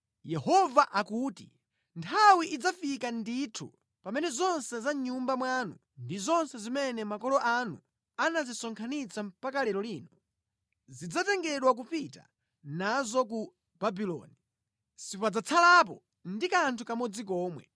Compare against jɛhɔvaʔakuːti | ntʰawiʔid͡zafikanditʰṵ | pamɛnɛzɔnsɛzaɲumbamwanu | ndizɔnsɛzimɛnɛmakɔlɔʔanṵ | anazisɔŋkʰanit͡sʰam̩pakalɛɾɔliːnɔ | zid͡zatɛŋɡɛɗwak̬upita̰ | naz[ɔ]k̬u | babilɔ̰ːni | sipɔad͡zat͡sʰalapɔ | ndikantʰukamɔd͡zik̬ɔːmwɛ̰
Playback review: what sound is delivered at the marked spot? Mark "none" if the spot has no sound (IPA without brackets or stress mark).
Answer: ɔ